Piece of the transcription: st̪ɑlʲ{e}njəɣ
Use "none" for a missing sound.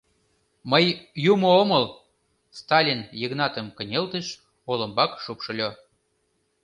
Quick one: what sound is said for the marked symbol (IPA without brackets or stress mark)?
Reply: i